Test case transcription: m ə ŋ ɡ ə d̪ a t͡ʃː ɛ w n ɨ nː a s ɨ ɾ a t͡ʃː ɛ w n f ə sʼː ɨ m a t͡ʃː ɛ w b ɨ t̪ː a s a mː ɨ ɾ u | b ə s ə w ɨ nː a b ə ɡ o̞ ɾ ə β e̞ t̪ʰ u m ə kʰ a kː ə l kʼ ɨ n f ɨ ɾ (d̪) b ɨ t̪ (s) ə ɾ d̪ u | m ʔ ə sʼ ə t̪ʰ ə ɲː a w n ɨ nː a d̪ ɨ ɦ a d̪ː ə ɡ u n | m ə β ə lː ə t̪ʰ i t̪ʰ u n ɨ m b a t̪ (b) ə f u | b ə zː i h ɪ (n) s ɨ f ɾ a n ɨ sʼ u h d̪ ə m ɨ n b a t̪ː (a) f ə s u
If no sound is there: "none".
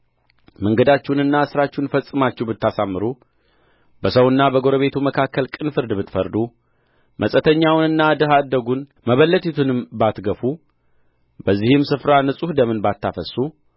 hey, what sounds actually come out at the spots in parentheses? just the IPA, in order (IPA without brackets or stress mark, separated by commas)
d̪, f, ɡ, m, a